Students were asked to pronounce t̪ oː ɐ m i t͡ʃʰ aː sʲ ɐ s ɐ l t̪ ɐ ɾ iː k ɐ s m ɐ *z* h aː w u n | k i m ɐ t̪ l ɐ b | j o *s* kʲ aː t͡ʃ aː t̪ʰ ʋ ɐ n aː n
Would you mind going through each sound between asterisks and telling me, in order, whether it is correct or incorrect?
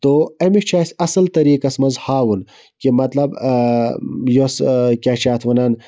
correct, correct

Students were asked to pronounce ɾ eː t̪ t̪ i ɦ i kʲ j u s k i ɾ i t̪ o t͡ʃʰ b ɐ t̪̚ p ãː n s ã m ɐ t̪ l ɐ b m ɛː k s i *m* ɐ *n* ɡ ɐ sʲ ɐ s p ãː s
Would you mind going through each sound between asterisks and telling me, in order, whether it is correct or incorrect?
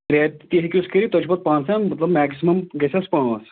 correct, incorrect

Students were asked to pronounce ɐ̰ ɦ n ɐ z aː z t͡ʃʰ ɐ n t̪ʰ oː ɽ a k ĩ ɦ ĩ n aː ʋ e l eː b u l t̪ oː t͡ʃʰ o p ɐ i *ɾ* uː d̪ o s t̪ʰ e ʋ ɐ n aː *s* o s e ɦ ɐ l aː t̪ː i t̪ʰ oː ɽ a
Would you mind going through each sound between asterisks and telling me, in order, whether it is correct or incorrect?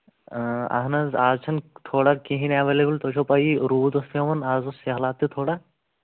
correct, incorrect

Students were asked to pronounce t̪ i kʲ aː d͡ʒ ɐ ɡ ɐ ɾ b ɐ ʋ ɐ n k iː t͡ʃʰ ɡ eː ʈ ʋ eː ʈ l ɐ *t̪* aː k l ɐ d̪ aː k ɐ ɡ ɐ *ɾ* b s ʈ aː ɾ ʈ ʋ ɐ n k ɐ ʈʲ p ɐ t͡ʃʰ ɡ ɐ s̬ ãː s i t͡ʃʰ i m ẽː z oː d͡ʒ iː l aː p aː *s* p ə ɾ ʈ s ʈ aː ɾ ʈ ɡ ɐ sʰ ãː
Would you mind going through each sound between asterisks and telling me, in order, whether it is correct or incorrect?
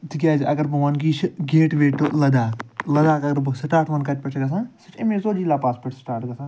incorrect, correct, correct

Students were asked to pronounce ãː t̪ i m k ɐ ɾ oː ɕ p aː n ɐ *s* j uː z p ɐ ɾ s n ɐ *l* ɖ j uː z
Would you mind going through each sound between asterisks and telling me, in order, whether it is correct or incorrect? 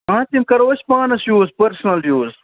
correct, correct

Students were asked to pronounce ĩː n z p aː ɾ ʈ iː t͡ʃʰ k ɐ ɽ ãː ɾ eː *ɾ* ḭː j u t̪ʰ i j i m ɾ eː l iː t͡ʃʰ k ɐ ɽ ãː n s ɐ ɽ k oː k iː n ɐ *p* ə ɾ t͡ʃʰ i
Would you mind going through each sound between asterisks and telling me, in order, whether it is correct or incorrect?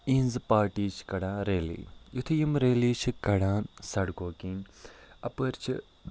incorrect, correct

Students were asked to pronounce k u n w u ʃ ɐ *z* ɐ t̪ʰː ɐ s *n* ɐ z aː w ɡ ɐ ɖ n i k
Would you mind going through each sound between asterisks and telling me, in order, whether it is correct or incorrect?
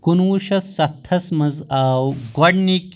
incorrect, incorrect

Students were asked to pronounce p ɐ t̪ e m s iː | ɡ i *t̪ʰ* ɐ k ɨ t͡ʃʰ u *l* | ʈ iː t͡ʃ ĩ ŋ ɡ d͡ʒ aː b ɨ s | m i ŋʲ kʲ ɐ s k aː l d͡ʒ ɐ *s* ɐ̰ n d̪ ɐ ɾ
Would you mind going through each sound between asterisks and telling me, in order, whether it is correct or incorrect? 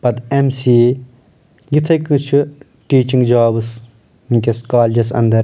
correct, incorrect, correct

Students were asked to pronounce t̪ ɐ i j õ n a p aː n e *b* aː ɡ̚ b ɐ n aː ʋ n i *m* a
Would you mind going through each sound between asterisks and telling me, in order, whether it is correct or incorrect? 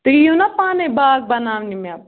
correct, correct

